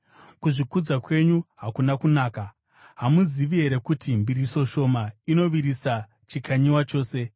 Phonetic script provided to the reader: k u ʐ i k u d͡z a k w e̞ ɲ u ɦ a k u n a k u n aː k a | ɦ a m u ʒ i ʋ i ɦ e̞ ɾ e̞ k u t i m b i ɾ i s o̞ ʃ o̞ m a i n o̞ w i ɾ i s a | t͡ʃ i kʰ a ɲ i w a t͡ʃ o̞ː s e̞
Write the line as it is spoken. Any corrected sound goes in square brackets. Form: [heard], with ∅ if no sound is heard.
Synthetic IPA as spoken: k u ʐ i k u d͡z a k w e̞ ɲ u ɦ a k u n a k u n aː k a | ɦ a m u [z] i ʋ i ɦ e̞ ɾ e̞ k u t i m b i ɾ i s o̞ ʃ o̞ m a i n o̞ [ʋ] i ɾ i s a | t͡ʃ i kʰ a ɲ i w a t͡ʃ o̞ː s e̞